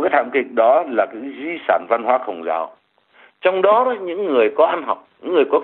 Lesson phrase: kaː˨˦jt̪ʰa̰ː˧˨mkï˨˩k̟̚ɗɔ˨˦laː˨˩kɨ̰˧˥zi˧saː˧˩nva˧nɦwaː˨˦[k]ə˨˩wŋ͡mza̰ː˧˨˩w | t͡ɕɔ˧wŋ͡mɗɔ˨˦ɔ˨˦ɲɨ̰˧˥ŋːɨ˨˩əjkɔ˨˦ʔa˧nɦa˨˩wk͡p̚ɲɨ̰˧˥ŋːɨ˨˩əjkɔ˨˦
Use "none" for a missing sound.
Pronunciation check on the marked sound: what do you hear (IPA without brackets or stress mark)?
x